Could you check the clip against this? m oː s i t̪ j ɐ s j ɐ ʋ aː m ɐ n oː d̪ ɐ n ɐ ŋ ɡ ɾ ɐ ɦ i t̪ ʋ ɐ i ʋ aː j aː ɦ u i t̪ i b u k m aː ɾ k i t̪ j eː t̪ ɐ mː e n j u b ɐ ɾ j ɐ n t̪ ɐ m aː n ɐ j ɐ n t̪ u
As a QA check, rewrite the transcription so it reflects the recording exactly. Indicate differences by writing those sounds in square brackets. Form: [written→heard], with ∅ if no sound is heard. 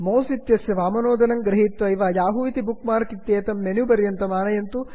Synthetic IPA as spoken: m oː s i t̪ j ɐ s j ɐ ʋ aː m ɐ n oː d̪ ɐ n ɐ ŋ ɡ ɾ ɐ ɦ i t̪ ʋ ɐ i ʋ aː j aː ɦ u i t̪ i b u k m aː ɾ k i t̪ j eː t̪ ɐ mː e n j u b ɐ ɾ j ɐ n t̪ ɐ m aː n ɐ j ɐ n t̪ u